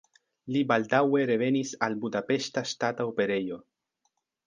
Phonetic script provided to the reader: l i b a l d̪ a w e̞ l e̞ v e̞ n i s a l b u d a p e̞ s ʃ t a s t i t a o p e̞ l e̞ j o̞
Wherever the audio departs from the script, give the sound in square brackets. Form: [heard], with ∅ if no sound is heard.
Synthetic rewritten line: l i b a l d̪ a w e̞ [ɾ] e̞ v e̞ n i s a l b u d a p e̞ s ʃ t a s t [a] t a o p e̞ [ɾ] e̞ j o̞